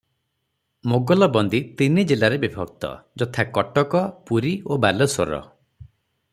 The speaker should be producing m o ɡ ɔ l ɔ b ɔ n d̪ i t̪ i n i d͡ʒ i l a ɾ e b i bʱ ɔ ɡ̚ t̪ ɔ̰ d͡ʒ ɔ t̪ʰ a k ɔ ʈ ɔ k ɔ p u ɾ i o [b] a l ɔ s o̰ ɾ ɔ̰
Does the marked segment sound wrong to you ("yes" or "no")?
no